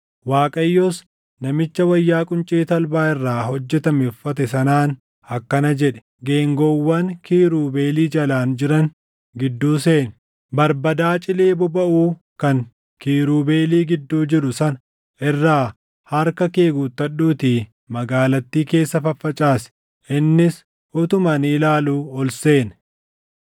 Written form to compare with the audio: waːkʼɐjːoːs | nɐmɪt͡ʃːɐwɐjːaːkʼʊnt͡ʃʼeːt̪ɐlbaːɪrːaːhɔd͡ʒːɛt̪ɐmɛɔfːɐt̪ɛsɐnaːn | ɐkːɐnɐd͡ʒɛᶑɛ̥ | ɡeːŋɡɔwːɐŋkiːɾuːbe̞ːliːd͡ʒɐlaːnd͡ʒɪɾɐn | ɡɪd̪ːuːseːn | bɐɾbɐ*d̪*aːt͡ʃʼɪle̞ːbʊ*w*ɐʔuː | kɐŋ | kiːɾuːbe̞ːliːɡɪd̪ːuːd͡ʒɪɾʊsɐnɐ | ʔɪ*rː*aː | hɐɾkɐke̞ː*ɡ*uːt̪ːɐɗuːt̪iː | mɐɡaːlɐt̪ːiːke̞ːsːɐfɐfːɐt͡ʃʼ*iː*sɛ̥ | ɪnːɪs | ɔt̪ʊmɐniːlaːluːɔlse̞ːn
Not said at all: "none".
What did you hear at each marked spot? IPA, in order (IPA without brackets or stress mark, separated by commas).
d̪, b, rː, ɡ, aː